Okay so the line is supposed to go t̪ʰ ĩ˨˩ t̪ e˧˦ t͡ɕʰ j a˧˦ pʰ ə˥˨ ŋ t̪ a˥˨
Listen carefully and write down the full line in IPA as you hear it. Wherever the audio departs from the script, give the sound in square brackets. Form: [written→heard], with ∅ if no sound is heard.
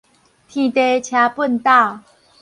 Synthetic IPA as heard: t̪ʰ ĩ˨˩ t̪ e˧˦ t͡ɕʰ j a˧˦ [pʰ→p] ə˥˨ [ŋ→n] t̪ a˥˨